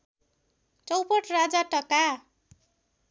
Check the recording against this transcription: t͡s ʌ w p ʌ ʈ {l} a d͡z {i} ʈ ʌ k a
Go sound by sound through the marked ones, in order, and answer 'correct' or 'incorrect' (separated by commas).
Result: incorrect, incorrect